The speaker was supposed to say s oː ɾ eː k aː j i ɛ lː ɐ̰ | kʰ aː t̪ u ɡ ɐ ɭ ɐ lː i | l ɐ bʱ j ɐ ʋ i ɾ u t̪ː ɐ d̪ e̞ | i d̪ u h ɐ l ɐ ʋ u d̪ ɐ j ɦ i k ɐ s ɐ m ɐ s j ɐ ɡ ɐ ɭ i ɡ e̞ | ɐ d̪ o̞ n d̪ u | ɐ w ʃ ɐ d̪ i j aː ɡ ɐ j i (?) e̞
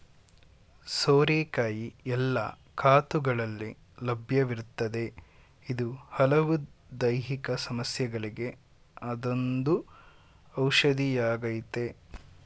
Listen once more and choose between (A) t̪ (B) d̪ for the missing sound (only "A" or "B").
A